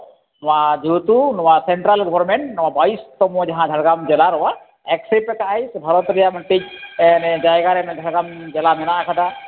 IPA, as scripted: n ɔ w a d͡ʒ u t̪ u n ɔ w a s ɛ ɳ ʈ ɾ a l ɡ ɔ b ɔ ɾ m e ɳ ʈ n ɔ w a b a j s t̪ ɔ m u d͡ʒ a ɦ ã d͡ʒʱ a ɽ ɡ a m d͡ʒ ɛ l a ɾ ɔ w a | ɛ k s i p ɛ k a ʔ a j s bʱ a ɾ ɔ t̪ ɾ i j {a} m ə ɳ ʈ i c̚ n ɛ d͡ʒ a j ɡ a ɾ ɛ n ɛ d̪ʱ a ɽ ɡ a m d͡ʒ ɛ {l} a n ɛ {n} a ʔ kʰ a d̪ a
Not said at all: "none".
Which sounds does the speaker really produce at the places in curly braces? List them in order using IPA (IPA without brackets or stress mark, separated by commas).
a, l, n